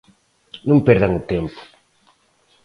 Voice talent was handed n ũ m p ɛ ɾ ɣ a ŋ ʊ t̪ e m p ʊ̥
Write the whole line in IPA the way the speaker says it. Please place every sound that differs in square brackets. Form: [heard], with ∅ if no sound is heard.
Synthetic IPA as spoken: n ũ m p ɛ ɾ [ð] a ŋ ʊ t̪ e m p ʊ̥